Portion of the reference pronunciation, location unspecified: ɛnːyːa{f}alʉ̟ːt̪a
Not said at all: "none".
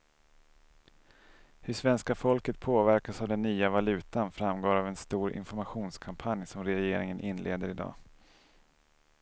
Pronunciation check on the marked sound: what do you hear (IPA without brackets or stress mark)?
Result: v